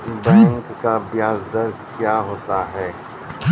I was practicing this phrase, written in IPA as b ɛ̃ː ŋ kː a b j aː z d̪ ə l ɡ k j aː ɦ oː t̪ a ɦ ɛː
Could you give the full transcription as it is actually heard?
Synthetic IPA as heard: b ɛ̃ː ŋ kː a b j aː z d̪ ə ɾ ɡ k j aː ɦ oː t̪ a ɦ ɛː

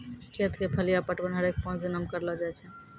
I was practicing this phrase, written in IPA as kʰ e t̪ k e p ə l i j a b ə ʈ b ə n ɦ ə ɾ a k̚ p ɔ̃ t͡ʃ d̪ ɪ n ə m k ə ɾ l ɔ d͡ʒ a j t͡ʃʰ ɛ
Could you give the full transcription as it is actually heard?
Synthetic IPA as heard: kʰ e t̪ k e pʰ ə l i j a p ə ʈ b ə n ɦ ə ɾ e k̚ p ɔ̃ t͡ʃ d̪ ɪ n ə m k ə ɾ l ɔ d͡ʒ a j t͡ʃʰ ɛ

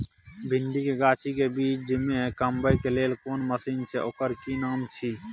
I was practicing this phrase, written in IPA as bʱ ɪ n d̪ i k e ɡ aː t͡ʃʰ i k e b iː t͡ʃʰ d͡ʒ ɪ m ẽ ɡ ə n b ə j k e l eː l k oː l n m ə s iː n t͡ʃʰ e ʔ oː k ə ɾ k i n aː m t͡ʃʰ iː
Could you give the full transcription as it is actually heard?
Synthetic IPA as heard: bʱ ɪ n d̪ i k e ɡ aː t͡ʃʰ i k e b iː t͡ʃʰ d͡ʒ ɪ m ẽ k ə m b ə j k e l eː l k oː n m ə s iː n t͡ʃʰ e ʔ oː k ə ɾ k i n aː m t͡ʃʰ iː

